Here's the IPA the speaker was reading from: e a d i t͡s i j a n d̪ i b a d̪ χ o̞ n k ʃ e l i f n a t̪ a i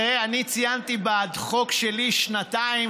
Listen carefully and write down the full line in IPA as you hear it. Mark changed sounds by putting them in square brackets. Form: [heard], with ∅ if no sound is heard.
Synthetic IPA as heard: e a [n] i t͡s i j a n [t̪] i b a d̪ χ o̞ [∅] k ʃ e l i [ʃ] n a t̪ a i